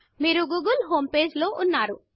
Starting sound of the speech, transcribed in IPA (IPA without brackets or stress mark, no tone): m